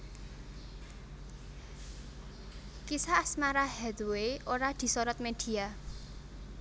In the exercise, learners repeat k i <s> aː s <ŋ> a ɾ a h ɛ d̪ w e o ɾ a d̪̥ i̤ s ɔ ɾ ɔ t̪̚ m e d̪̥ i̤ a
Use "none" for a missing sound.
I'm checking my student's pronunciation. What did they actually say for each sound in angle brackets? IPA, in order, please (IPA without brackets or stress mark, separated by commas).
s, m